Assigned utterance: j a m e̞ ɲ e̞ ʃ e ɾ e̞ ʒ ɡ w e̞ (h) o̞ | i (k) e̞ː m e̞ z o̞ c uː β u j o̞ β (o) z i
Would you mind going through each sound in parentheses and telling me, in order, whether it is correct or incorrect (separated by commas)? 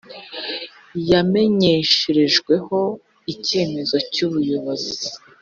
correct, incorrect, correct